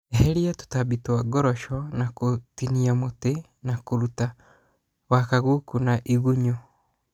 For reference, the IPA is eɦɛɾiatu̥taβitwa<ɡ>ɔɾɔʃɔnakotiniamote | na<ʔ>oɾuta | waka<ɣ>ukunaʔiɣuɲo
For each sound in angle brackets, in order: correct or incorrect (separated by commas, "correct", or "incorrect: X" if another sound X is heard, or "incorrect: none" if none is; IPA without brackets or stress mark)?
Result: correct, incorrect: k, correct